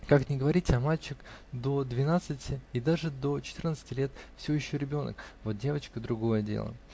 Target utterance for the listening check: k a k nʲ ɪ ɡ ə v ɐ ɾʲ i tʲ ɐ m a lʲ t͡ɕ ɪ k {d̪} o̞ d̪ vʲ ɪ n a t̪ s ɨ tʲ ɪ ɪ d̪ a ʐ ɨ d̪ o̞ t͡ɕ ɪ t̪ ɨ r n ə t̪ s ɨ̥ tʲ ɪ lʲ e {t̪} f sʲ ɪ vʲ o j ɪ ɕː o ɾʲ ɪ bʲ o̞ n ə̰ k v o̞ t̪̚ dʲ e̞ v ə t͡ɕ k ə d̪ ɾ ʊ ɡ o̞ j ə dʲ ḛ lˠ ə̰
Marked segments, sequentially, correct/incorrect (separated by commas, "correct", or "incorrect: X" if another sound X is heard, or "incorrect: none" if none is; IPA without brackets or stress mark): correct, correct